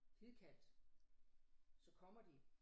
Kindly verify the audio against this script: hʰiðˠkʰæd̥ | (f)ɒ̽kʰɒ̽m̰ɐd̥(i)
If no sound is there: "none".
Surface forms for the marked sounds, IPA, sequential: s, i

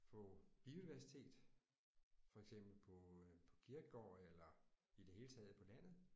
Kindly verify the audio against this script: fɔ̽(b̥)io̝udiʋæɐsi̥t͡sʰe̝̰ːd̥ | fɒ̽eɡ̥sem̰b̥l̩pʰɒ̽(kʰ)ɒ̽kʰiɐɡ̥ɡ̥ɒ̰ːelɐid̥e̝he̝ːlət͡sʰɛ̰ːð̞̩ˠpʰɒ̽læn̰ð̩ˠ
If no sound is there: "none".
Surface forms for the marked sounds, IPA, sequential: b̥, pʰ

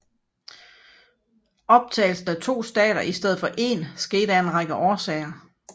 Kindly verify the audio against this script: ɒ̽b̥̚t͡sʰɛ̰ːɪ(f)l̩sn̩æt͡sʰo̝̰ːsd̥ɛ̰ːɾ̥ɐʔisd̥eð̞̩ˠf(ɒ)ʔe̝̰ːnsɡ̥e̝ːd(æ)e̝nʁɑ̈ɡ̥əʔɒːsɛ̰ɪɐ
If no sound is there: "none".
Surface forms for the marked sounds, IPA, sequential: none, ɒ, æ

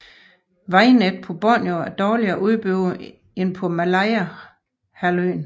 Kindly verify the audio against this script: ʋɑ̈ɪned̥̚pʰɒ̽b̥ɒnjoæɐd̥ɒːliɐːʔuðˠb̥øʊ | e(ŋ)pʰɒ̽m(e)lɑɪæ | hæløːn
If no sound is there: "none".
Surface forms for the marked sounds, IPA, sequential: n, æ

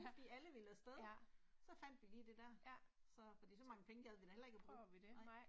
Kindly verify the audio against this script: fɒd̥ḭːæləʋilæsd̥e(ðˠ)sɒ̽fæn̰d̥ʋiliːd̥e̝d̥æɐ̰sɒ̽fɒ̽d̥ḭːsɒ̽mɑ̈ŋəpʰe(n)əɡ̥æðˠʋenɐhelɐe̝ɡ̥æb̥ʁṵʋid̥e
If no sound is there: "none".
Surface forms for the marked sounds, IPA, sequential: ðˠ, ŋ

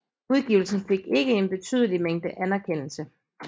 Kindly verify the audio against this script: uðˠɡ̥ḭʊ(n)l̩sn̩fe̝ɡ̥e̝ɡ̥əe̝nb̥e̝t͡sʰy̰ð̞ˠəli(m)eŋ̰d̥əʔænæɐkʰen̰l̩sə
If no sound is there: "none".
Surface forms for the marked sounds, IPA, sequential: none, m

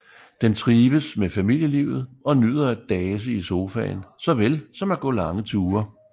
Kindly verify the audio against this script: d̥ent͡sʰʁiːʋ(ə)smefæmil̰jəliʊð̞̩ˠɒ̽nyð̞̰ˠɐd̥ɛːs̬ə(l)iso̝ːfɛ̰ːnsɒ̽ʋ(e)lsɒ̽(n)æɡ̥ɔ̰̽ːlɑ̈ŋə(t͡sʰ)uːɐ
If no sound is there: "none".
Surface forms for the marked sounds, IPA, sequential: ə, none, e, m, t͡sʰ

